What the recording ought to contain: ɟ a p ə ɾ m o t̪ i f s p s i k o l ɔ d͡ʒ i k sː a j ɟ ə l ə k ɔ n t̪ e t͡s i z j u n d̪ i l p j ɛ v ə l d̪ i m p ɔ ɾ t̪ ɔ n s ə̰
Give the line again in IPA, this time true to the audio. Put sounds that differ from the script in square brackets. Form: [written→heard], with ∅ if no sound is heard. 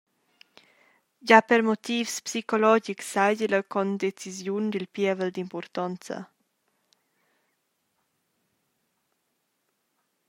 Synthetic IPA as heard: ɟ a p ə ɾ m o t̪ i f s p s i k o l ɔ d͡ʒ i k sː a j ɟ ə l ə k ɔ n [t̪→d̪] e t͡s i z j u n d̪ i l p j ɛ v ə l d̪ i m p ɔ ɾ t̪ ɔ n [s→t͡s] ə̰